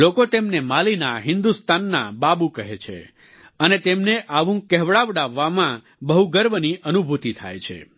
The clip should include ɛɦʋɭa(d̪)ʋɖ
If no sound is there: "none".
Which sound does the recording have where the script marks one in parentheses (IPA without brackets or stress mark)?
none